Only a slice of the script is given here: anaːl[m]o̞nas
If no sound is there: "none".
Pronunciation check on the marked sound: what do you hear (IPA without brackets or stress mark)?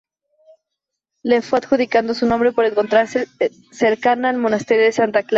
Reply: m